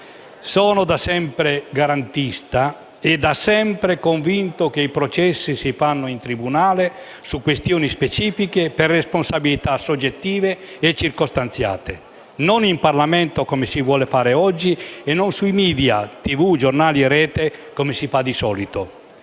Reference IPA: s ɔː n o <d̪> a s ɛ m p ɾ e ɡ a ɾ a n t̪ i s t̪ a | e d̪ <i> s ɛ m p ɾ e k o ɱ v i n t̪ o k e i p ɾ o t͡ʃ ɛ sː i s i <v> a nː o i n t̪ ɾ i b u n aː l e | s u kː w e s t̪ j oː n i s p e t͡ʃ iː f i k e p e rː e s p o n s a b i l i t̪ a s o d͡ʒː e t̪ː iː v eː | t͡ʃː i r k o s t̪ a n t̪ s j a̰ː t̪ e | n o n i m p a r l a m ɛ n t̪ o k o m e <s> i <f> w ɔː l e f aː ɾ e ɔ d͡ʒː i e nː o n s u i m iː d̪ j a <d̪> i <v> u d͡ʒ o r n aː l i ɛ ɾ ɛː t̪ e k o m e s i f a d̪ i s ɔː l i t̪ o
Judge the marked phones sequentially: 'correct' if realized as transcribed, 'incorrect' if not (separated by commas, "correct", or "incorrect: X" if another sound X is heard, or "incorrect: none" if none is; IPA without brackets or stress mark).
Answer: correct, incorrect: a, incorrect: f, correct, incorrect: v, incorrect: t̪, correct